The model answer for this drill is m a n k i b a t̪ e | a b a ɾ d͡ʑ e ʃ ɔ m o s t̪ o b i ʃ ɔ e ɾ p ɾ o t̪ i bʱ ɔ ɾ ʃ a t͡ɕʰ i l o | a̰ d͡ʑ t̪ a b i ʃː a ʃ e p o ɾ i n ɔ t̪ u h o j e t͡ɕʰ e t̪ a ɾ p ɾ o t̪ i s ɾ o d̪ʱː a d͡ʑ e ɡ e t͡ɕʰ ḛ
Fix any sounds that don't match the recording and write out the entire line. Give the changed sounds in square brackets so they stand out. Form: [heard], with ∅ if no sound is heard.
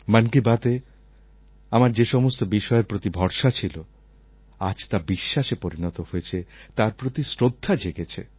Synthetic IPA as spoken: m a n k i b a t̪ e | a [m] a ɾ d͡ʑ e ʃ ɔ m o s t̪ o b i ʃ ɔ e ɾ p ɾ o t̪ i bʱ ɔ ɾ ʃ a t͡ɕʰ i l o | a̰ d͡ʑ t̪ a b i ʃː a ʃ e p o ɾ i n ɔ t̪ [o] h o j e t͡ɕʰ e t̪ a ɾ p ɾ o t̪ i s ɾ o d̪ʱː a d͡ʑ e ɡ e t͡ɕʰ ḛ

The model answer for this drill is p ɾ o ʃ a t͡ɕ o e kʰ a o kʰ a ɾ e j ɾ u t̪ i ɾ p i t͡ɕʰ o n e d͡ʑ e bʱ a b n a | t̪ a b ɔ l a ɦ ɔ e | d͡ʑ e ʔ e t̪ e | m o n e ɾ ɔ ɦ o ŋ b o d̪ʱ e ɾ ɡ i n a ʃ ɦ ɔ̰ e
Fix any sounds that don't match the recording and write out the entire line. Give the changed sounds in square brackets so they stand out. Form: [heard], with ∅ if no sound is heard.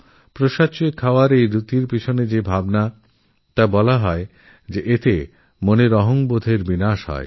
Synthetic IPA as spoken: p ɾ o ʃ a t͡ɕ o e kʰ a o [∅] a ɾ e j ɾ u t̪ i ɾ p i t͡ɕʰ o n e d͡ʑ e bʱ a b n a | t̪ a b ɔ l a ɦ ɔ e | d͡ʑ e ʔ e t̪ e | m o n e ɾ ɔ ɦ o ŋ b o d̪ʱ e ɾ [b] i n a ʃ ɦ ɔ̰ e

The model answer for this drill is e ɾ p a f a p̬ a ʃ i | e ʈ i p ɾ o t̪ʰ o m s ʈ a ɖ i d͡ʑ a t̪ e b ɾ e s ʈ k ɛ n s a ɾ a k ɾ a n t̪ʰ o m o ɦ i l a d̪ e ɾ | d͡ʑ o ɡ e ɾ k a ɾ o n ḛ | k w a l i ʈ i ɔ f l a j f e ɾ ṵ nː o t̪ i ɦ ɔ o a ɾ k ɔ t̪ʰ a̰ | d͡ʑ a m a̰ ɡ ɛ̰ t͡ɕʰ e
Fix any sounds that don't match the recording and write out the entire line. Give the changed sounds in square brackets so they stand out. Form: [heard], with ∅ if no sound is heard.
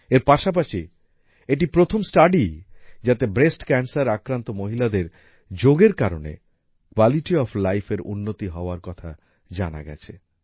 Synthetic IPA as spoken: e ɾ p a [ʃ] a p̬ a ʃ i | e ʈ i p ɾ o t̪ʰ o m s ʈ a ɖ i d͡ʑ a t̪ e b ɾ e s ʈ k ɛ n s a ɾ a k ɾ a n [t̪] o m o ɦ i l a d̪ e ɾ | d͡ʑ o ɡ e ɾ k a ɾ o n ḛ | k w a l i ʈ i ɔ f l a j f e ɾ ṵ nː o t̪ i ɦ ɔ o a ɾ k ɔ t̪ʰ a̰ | d͡ʑ a [n] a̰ ɡ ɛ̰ t͡ɕʰ e

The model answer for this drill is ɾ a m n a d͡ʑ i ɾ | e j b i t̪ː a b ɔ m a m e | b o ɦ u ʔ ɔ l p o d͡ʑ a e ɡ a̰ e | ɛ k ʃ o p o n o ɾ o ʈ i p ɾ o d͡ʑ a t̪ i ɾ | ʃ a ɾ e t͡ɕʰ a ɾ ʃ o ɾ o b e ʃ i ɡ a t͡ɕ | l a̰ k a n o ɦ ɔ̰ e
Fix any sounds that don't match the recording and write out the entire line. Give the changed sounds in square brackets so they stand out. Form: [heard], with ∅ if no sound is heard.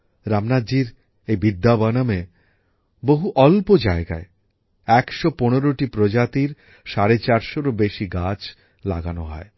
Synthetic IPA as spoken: ɾ a m n a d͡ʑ i ɾ | e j b i [d̪ː] a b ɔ [n] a m e | b o ɦ u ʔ ɔ l p o d͡ʑ a e ɡ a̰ e | ɛ k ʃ o p o n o ɾ o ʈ i p ɾ o d͡ʑ a t̪ i ɾ | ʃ a ɾ e [t͡ɕ] a ɾ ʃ o ɾ o b e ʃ i ɡ a t͡ɕ | l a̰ [ɡ] a n o ɦ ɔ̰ e

